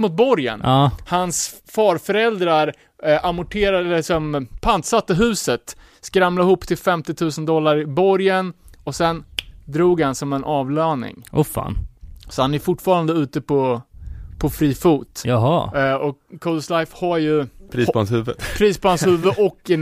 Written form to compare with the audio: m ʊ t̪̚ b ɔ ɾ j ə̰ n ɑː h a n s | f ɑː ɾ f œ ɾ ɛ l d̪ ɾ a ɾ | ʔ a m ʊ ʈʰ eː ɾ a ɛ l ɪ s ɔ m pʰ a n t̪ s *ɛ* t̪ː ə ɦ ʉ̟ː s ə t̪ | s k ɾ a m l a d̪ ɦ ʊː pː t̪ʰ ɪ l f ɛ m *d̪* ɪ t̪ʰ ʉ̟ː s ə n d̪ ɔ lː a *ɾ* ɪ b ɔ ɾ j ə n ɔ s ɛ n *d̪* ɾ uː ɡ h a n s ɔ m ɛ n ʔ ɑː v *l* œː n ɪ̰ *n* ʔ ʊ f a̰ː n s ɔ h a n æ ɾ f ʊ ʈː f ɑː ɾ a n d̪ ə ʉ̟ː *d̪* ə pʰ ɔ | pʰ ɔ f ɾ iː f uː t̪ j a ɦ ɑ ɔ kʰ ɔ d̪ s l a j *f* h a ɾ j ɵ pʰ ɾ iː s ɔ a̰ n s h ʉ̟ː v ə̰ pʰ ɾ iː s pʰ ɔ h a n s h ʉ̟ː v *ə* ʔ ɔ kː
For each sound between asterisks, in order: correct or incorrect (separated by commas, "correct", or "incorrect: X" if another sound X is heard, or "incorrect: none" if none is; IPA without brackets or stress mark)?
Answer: incorrect: a, incorrect: t̪, correct, correct, correct, incorrect: ŋ, incorrect: t̪, correct, correct